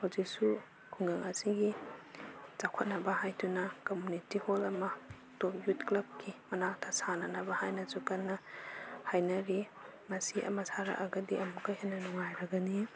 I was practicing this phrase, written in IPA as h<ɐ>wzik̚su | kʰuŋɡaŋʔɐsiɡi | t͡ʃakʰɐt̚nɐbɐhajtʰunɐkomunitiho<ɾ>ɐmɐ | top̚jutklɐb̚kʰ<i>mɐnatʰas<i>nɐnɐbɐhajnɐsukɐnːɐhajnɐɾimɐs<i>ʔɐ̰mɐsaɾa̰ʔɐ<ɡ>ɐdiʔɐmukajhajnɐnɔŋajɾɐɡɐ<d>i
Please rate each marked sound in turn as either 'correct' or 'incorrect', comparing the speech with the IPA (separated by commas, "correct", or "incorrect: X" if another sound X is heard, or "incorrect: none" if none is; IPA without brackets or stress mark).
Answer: incorrect: a, incorrect: l, correct, incorrect: a, correct, correct, incorrect: n